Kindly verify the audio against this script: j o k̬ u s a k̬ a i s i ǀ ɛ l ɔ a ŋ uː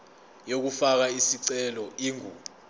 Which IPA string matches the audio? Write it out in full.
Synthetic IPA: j o k̬ u f a k̬ a i s i ǀ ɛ l ɔ i ŋ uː

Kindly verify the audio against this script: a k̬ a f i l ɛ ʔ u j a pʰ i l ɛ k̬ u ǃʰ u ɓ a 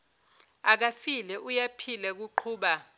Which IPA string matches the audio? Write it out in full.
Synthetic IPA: a k̬ a f i l ɛ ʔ u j a pʰ i l ɛ k̬ u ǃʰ uː ɓ a

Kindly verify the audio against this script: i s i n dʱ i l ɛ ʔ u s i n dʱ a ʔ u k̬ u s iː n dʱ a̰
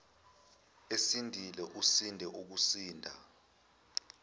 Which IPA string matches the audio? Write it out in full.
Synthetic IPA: e s i n dʱ i l ɛ ʔ u s i n dʱ ɛ ʔ u k̬ u s iː n dʱ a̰

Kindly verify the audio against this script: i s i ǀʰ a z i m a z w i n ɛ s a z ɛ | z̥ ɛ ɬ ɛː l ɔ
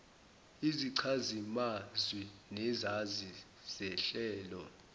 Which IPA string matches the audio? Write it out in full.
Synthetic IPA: i z i ǀʰ a z i m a z w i n ɛ z a z i | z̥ ɛ ɬ ɛː l ɔ

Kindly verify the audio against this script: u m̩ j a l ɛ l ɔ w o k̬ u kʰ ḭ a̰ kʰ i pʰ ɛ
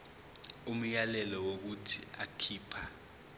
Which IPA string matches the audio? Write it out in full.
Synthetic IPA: u m̩ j a l ɛ l ɔ w o k̬ u tʰ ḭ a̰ kʰ iː pʰ a

